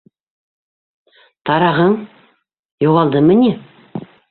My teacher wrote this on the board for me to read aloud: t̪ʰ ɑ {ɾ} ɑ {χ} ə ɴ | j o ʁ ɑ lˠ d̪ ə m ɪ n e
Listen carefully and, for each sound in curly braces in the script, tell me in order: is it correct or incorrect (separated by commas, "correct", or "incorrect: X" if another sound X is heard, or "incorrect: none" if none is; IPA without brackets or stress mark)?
correct, incorrect: ʁ